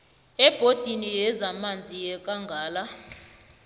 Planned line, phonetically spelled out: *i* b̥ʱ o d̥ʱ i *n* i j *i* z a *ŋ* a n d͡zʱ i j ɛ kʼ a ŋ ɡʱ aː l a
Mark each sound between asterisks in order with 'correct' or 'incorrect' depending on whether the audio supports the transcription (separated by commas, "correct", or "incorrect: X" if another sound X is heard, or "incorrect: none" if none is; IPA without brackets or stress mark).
incorrect: ɛ, correct, incorrect: ɛ, incorrect: m